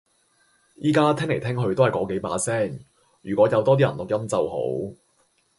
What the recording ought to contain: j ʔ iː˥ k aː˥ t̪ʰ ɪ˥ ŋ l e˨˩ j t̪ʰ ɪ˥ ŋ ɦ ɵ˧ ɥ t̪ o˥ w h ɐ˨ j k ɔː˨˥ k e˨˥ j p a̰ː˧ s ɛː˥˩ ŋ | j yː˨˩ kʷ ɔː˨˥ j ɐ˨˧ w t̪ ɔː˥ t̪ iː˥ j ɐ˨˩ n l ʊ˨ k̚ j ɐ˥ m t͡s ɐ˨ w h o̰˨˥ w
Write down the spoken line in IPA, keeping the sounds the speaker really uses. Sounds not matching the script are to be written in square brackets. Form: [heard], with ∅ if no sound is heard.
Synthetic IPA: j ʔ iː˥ k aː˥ t̪ʰ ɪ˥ ŋ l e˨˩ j t̪ʰ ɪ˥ ŋ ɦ ɵ˧ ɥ t̪ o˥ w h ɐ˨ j k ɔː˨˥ k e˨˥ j p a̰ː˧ s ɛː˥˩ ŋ | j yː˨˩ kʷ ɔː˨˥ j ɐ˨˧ w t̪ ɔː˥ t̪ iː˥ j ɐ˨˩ n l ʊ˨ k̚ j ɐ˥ m t͡s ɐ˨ w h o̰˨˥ w